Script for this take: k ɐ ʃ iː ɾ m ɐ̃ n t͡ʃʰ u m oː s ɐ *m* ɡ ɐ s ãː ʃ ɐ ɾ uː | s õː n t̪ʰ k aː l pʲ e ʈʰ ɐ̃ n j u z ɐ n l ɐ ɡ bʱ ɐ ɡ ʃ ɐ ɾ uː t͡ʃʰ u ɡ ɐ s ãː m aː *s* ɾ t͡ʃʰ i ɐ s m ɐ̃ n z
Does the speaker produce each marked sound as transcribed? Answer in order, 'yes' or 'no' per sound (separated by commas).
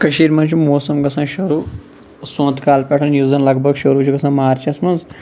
yes, no